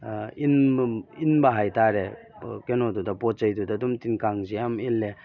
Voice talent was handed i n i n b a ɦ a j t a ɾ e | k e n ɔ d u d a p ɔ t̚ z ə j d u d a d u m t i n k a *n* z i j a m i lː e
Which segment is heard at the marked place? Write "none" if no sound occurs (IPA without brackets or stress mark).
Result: ŋ